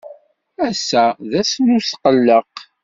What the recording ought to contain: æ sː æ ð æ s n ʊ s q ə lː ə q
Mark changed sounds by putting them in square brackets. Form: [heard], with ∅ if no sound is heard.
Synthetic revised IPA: æ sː æ ð æ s n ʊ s q ə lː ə q